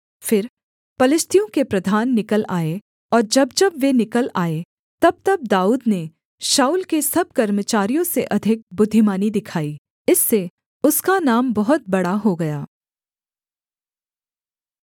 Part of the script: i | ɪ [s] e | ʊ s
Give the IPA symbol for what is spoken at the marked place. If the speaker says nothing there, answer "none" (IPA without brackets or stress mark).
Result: sː